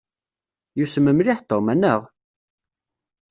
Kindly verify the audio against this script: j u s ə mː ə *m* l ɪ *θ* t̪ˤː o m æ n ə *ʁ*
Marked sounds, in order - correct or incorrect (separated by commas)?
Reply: correct, incorrect, correct